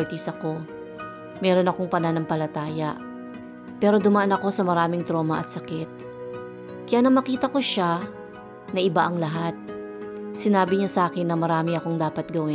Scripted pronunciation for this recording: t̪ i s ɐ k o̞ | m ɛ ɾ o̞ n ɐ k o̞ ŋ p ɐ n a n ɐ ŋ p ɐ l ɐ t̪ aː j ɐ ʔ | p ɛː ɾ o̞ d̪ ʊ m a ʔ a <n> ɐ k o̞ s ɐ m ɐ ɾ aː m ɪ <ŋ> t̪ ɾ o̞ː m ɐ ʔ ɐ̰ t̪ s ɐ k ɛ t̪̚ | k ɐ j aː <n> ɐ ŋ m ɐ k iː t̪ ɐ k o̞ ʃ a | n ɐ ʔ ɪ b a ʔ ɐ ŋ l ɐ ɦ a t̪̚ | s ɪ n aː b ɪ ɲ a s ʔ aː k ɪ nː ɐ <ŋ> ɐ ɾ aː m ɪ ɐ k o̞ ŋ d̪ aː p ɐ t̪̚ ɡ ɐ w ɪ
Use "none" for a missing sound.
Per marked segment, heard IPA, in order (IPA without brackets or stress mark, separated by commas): n, ŋ, n, m